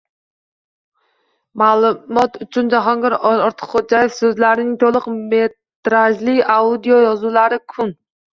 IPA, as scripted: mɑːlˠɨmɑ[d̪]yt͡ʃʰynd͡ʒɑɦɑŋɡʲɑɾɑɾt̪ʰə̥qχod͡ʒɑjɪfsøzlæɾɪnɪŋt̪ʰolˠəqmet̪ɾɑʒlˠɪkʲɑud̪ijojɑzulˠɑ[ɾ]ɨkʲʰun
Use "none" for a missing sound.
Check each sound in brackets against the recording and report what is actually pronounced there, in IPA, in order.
t̪, ɾ

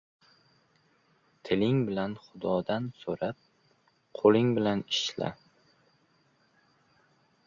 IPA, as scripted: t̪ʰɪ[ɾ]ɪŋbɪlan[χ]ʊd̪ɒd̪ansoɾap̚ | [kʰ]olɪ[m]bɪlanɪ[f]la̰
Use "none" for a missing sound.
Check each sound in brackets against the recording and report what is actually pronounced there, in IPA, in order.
l, χ, qʰ, ŋ, ʃ

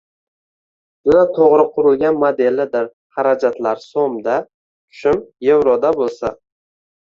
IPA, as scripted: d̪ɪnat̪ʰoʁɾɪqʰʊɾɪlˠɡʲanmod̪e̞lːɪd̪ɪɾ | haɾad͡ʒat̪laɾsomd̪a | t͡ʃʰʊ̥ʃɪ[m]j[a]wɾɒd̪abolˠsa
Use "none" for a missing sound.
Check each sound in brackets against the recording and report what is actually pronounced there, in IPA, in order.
m, e

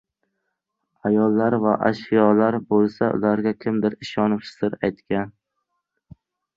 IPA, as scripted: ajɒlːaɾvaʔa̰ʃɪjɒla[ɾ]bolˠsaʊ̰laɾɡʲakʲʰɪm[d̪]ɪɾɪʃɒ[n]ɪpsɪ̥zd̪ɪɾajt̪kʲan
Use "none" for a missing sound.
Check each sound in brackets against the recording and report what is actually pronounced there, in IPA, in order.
ɾ, d̪, n

